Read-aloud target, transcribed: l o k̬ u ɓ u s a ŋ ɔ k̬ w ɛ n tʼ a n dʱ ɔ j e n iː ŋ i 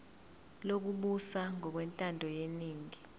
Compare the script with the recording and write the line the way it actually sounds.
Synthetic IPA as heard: l o k̬ u ɓ u s a ŋ ɔ k̬ w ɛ n tʼ a n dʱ ɔ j e n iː ŋ i